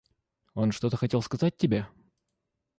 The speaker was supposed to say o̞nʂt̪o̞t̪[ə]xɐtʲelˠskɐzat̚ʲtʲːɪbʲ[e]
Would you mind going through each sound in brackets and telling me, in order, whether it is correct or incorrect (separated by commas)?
correct, correct